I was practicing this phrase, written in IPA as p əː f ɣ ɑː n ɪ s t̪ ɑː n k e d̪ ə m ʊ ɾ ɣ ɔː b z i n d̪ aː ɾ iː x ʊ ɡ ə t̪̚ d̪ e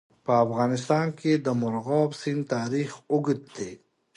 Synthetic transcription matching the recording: p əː f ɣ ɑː n ɪ s t̪ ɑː n k e d̪ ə m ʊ ɾ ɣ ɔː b s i n t̪ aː ɾ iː x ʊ ɡ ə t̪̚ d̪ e